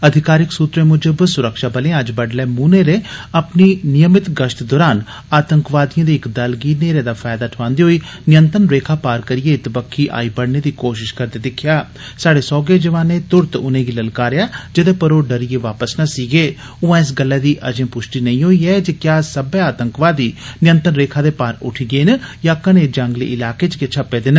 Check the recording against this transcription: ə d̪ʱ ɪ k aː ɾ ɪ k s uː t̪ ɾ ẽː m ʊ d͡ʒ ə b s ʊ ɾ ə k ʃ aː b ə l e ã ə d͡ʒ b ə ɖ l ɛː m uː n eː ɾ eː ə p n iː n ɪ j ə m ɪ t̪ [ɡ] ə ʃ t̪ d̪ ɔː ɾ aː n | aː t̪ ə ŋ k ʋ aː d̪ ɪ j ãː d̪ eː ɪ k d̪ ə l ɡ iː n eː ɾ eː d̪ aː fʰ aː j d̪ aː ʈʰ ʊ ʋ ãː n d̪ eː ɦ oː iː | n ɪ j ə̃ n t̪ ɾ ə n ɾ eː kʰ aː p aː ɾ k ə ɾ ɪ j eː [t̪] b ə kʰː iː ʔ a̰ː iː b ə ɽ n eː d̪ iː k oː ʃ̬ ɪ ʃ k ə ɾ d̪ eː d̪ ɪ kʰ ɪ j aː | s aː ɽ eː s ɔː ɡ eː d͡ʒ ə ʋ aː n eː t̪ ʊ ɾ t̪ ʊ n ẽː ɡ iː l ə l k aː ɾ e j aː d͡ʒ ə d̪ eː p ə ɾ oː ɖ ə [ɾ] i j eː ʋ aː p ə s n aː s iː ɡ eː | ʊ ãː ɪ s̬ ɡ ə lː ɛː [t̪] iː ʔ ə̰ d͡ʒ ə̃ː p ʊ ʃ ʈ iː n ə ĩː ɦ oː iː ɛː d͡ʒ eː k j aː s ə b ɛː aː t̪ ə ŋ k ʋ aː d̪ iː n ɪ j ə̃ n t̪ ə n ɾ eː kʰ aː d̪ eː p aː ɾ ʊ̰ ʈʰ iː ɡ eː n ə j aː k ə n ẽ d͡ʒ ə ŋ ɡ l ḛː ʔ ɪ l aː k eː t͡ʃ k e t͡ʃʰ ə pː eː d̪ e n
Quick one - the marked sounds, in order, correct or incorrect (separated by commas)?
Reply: correct, correct, correct, incorrect